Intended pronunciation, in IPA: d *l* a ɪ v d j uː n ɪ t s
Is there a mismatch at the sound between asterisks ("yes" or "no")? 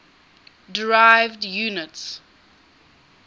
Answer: yes